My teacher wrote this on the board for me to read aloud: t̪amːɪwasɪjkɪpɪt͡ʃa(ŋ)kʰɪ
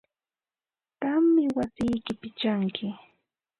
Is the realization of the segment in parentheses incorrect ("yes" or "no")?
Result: no